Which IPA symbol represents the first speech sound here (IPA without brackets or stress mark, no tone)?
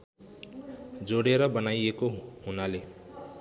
d͡z